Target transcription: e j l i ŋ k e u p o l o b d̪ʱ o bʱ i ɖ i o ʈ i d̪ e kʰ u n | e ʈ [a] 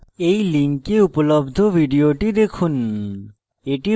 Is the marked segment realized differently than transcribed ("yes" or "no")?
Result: yes